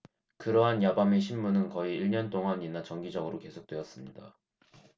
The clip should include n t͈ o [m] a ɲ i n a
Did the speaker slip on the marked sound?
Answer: yes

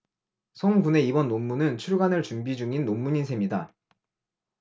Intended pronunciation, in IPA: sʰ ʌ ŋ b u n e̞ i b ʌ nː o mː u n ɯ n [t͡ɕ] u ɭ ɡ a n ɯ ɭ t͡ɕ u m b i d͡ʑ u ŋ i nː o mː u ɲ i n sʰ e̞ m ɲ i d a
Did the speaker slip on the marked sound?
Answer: yes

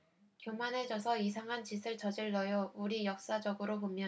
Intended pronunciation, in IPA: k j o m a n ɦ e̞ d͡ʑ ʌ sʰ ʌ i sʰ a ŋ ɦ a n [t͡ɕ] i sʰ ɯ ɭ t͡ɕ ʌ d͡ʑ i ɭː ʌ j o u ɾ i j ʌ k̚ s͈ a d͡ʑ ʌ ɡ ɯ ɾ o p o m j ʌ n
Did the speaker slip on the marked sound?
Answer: no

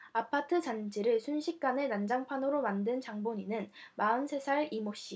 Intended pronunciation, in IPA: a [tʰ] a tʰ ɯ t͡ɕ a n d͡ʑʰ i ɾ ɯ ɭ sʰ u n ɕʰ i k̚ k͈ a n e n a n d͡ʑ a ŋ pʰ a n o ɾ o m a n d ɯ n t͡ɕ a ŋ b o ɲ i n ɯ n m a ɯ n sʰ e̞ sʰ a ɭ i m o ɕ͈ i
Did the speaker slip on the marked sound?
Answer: yes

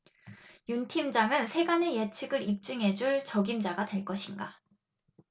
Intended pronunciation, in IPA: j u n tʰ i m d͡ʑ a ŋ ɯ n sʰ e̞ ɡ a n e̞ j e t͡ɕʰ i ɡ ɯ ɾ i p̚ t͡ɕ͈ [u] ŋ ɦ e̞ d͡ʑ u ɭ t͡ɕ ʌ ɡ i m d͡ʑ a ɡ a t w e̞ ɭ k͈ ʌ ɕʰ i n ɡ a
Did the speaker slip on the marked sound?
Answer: yes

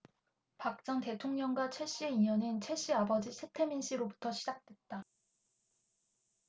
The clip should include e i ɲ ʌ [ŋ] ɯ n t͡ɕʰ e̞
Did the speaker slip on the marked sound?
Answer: yes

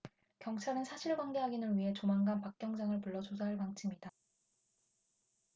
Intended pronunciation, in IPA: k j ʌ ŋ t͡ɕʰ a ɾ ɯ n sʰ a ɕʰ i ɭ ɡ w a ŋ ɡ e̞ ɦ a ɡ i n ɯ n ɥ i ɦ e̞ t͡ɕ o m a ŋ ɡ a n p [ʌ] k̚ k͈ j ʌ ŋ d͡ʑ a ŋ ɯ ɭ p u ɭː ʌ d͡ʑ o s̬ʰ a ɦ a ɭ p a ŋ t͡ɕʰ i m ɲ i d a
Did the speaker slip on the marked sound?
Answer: yes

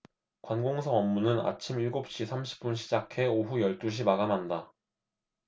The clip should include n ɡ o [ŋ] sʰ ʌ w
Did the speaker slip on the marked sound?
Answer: no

